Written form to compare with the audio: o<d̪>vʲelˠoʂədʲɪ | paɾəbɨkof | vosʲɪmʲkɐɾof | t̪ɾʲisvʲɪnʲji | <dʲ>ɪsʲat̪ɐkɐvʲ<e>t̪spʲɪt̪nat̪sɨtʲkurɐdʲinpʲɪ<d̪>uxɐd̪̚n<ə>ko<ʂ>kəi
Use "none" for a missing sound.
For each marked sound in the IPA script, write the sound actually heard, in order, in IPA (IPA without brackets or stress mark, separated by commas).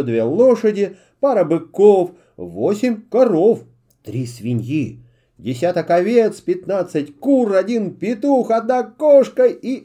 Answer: d̪, dʲ, e, t̪, a, ʂ